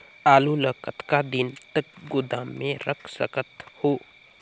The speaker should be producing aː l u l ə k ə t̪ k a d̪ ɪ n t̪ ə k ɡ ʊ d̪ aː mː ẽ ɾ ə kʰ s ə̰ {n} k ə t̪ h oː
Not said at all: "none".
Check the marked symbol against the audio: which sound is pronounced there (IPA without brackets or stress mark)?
none